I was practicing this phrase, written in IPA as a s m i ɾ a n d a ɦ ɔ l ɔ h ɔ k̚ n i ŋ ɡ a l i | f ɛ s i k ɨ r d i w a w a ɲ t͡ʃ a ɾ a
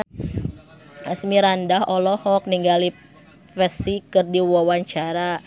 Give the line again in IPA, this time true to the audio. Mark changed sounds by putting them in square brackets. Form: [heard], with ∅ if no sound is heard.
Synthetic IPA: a s m i ɾ a n d a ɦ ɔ l ɔ h ɔ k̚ n i ŋ ɡ a l i | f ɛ s i k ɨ r d i w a w a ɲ t͡ʃ a ɾ a